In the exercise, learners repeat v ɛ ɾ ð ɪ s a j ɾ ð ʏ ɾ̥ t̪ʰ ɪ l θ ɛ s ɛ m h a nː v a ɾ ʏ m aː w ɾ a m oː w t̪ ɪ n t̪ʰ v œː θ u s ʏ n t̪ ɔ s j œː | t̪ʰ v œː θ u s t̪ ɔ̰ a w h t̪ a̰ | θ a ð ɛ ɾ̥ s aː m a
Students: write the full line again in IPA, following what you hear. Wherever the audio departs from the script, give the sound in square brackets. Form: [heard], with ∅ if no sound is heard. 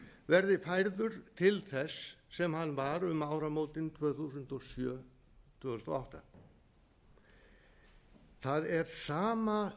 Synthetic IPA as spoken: v ɛ ɾ ð ɪ [f] a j ɾ ð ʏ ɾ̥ t̪ʰ ɪ l θ ɛ [sː] ɛ m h a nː v a ɾ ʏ m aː w ɾ a m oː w t̪ ɪ n t̪ʰ v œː θ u s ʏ n t̪ ɔ s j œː | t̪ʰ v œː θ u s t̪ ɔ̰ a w h t̪ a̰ | θ a ð ɛ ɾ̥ s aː m a